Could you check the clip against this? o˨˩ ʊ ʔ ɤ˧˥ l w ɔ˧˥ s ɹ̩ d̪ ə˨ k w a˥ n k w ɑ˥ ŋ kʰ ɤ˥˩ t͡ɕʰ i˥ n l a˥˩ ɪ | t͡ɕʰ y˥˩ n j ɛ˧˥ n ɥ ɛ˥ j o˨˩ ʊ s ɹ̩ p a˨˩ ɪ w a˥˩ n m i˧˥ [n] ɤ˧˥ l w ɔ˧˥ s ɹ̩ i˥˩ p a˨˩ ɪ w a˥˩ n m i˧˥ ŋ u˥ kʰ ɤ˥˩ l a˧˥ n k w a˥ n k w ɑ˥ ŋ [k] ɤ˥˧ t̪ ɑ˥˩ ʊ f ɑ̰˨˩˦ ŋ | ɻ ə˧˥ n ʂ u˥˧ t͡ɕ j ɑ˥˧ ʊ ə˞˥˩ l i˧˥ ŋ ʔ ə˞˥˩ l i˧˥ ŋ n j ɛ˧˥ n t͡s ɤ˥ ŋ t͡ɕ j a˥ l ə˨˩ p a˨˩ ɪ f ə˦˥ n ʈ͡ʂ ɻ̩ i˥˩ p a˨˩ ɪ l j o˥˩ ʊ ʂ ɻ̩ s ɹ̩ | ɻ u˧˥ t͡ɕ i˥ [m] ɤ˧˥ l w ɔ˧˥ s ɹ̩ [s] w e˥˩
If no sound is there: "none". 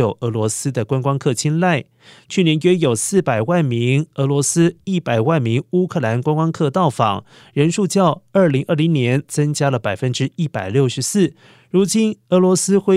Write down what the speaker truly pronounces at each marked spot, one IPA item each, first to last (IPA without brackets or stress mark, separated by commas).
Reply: ŋ, kʰ, n, x